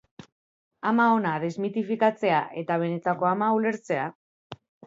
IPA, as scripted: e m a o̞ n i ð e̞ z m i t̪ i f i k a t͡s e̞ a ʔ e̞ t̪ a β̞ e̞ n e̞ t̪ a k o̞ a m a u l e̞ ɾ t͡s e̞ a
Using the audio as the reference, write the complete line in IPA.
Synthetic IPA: a m a o̞ n a ð e̞ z m i t̪ i f i k a t͡s e̞ a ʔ e̞ t̪ a β̞ e̞ n e̞ t̪ a k o̞ a m a u l e̞ ɾ t͡s e̞ a